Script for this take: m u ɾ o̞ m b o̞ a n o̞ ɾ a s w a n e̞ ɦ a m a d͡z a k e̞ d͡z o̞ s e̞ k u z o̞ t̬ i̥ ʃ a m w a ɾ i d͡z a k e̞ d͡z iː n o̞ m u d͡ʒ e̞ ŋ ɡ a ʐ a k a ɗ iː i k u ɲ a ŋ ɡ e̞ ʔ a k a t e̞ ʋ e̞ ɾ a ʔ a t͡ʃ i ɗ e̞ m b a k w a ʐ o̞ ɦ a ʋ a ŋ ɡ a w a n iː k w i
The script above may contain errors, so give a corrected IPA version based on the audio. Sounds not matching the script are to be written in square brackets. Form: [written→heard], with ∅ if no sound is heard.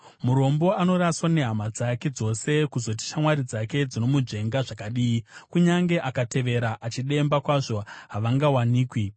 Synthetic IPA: m u ɾ o̞ m b o̞ a n o̞ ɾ a s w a n e̞ ɦ a m a d͡z a k e̞ d͡z o̞ s e̞ k u z o̞ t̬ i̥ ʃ a m w a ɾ i d͡z a k e̞ d͡z [iː→i] n o̞ m u d͡ʒ e̞ ŋ ɡ a ʐ a k a ɗ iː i k u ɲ a ŋ ɡ e̞ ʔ a k a t e̞ ʋ e̞ ɾ a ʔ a t͡ʃ i ɗ e̞ m b a k w a ʐ o̞ ɦ a ʋ a ŋ ɡ a w a n iː k w i